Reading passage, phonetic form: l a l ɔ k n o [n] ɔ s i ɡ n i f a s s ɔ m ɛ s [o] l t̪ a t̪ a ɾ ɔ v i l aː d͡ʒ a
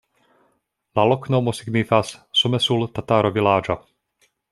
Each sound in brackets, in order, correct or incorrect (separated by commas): incorrect, incorrect